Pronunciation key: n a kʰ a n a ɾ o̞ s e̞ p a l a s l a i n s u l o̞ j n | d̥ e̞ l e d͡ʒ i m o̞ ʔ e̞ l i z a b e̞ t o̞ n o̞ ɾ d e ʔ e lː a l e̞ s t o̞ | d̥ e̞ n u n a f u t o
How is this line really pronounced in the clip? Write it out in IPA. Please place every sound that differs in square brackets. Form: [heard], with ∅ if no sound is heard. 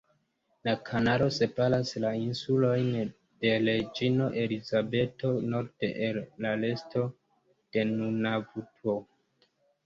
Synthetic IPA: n a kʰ a n a ɾ o̞ s e̞ p a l a s l a i n s u l o̞ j n | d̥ e̞ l e d͡ʒ i [n] o̞ ʔ e̞ l i z a b e̞ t o̞ n o̞ ɾ d e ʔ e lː a l e̞ s t o̞ | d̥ e̞ n u n a [v] u t o